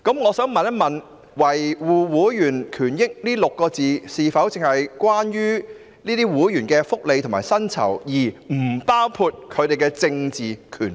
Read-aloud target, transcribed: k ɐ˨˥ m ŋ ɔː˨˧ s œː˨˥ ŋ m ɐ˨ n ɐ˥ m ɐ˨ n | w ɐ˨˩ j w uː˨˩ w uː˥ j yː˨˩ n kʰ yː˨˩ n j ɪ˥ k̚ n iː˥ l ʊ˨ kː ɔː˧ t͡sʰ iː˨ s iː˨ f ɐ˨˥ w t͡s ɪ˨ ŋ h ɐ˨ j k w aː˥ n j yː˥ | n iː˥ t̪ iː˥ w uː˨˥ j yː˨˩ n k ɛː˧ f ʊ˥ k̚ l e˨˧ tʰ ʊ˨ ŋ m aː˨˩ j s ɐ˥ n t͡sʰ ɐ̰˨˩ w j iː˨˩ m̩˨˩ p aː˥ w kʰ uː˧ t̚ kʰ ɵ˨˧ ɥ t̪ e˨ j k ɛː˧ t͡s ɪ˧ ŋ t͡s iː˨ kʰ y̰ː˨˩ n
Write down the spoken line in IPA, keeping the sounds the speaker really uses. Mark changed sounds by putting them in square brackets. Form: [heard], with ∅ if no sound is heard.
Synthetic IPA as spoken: k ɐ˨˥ m ŋ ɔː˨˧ s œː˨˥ ŋ m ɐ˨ n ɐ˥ m ɐ˨ n | w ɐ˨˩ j w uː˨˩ w [uː˨˥] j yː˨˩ n kʰ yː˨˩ n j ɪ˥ k̚ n iː˥ l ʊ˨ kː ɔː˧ [t͡s] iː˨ s iː˨ f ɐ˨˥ w t͡s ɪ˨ ŋ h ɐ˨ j k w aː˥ n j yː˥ | n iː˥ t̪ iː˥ w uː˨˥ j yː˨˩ n k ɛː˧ f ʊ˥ k̚ l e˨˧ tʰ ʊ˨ ŋ m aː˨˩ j s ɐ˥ n t͡sʰ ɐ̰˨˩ w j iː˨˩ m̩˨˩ p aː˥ w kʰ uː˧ t̚ kʰ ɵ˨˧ ɥ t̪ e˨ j k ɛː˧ t͡s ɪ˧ ŋ t͡s iː˨ kʰ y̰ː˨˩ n